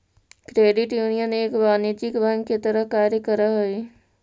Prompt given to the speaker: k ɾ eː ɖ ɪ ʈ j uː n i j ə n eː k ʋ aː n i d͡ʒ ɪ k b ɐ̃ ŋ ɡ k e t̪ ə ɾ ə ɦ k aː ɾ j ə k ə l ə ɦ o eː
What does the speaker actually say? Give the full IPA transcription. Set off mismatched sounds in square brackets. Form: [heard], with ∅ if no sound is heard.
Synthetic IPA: k ɾ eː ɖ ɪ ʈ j uː n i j ə n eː k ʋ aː n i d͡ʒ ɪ k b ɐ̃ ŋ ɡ k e t̪ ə ɾ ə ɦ k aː ɾ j ə k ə [ɾ] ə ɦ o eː